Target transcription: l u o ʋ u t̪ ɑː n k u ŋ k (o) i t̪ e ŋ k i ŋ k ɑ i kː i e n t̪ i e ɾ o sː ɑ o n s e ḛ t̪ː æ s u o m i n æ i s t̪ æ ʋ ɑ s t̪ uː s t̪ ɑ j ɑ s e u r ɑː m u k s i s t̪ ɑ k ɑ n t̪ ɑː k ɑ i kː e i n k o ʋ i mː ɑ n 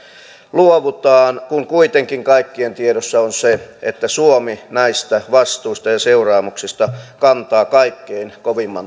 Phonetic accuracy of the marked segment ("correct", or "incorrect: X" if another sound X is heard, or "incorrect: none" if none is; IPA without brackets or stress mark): incorrect: u